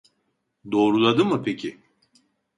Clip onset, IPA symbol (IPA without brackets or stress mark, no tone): d̪